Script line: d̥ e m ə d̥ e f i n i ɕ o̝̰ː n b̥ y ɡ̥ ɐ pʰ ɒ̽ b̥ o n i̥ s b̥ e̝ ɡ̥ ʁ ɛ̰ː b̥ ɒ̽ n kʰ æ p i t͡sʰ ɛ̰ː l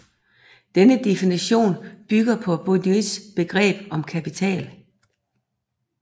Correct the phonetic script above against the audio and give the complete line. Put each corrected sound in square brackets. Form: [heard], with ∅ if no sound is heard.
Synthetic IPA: d̥ e [n] ə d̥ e f i n i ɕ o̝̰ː n b̥ y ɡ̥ ɐ pʰ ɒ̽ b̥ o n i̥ s b̥ e̝ ɡ̥ ʁ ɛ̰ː b̥ ɒ̽ [m] kʰ æ p i t͡sʰ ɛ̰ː l